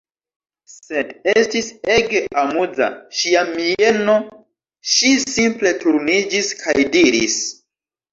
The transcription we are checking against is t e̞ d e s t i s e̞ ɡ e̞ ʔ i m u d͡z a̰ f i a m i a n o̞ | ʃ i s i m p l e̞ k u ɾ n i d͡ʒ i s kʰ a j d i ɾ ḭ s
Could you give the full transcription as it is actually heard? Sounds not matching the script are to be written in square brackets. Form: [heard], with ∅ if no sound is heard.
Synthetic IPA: [s] e̞ d e s t i s e̞ ɡ e̞ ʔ [a] m u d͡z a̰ [ʃ] i a m i [e] n o̞ | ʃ i s i m p l e̞ [t] u ɾ n i d͡ʒ i s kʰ a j d i ɾ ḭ s